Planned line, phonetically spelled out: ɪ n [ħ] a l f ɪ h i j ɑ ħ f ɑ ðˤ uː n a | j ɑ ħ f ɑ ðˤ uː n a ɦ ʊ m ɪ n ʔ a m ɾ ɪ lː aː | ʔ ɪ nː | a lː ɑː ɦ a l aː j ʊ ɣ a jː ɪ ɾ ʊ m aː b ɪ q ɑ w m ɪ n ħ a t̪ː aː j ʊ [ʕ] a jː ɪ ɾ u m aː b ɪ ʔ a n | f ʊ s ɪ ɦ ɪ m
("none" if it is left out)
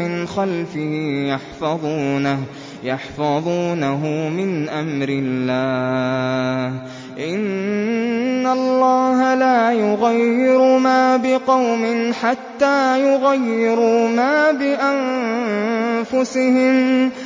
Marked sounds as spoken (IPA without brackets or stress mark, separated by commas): x, ɣ